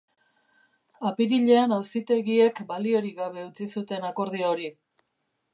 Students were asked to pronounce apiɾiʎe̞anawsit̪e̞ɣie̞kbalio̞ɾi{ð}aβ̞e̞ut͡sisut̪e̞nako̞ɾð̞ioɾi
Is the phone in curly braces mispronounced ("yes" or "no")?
yes